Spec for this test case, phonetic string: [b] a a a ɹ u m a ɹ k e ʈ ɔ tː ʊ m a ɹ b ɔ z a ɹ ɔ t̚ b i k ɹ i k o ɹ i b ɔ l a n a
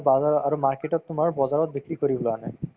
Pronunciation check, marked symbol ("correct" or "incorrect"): correct